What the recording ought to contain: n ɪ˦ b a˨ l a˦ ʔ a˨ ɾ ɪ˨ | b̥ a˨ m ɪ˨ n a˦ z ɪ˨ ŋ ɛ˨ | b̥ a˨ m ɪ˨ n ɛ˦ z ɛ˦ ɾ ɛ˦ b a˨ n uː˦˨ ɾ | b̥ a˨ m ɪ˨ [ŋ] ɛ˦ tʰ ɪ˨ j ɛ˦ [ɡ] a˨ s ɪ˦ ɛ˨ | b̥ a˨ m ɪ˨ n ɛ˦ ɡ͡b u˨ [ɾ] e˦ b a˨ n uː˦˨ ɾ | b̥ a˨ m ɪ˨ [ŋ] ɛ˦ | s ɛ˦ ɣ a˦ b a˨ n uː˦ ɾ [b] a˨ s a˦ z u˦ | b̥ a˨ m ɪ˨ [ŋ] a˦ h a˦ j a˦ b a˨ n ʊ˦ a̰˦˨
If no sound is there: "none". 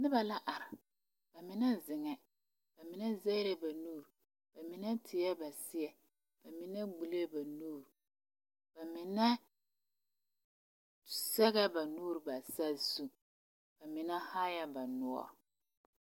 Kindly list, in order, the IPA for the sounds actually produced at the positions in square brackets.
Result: n, b, l, n, b, n

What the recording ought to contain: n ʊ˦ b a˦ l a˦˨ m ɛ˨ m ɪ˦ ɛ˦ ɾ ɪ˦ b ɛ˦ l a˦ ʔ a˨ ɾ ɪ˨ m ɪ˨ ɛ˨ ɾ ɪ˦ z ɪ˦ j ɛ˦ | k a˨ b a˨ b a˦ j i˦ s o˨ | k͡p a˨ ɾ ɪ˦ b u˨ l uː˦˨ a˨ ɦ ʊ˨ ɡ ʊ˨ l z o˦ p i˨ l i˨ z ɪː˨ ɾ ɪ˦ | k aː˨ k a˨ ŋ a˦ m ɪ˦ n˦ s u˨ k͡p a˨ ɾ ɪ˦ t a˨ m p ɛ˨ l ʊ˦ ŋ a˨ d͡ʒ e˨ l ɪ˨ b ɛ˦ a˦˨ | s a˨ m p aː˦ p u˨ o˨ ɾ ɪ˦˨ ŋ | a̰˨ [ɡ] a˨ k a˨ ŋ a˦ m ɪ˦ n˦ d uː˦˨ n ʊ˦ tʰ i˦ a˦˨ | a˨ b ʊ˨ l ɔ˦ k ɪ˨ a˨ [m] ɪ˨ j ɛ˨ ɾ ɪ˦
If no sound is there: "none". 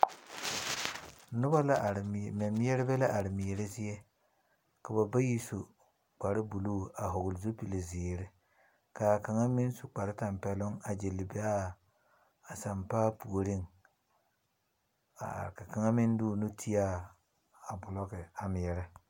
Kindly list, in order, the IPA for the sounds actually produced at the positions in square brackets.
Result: k, m

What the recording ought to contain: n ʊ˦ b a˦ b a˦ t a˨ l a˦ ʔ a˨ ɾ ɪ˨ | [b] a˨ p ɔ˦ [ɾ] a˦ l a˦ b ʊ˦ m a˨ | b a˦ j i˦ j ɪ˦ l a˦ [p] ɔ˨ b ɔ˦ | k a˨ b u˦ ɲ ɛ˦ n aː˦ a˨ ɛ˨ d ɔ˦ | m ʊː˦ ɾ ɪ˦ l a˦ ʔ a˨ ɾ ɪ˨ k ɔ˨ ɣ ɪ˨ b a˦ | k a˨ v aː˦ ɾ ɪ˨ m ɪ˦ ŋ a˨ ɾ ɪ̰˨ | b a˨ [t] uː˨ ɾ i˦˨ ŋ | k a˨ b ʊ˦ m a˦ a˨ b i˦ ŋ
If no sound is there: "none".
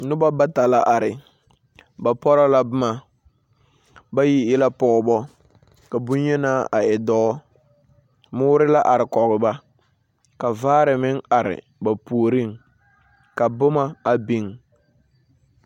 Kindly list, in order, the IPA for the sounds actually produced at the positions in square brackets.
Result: b, ɾ, p, p

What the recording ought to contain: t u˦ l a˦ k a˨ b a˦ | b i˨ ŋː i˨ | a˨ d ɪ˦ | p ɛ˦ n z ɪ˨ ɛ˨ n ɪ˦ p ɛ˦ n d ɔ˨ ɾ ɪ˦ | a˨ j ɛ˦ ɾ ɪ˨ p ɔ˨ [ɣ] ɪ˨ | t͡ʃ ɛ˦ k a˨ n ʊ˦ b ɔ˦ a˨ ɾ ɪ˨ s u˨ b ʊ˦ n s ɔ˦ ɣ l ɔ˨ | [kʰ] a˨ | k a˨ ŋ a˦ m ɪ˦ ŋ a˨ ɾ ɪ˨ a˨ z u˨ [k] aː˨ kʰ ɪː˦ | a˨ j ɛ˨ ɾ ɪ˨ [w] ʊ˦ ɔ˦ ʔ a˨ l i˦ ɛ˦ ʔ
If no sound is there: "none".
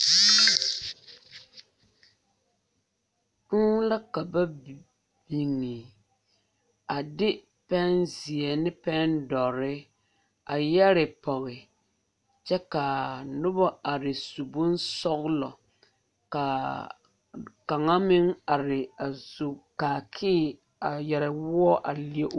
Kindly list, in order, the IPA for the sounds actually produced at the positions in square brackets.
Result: ɣ, k, k, w

